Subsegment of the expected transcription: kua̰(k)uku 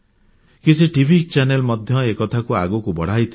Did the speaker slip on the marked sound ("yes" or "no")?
yes